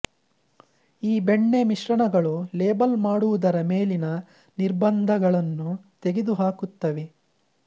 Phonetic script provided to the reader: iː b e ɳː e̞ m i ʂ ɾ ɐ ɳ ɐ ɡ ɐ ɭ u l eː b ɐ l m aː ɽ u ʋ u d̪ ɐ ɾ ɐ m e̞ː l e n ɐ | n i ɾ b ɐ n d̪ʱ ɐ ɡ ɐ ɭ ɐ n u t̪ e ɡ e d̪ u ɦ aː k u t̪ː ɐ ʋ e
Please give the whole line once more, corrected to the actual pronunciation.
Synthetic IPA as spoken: iː b e ɳː e̞ m i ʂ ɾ ɐ ɳ ɐ ɡ ɐ ɭ u l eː b ɐ l m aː ɽ u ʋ u d̪ ɐ ɾ ɐ m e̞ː l i n ɐ | n i ɾ b ɐ n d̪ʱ ɐ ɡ ɐ ɭ ɐ nː u t̪ e ɡ e d̪ u ɦ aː k u t̪ː ɐ ʋ e